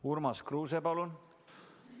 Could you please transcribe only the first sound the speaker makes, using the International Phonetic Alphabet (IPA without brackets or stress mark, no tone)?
u